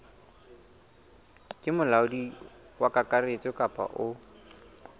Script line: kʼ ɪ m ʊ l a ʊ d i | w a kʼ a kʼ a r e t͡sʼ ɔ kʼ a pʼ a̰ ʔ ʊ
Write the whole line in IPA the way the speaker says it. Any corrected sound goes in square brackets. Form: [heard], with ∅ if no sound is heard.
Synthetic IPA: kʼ ɪ m ʊ l a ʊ d i | w a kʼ a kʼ a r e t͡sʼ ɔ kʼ a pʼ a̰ ʔ ʊ